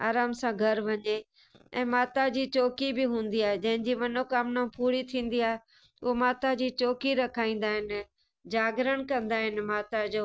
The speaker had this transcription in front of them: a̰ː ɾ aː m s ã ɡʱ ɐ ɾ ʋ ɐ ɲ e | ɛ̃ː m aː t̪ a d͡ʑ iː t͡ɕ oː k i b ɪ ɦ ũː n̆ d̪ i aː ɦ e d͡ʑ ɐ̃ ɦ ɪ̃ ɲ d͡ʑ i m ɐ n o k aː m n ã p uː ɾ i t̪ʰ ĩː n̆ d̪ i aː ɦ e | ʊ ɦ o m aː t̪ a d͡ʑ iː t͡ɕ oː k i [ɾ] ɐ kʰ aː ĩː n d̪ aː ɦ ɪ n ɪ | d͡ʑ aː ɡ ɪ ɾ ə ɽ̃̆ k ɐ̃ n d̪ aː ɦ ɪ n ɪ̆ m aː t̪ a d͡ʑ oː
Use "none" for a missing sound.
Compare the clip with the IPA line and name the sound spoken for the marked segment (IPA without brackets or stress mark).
ɾ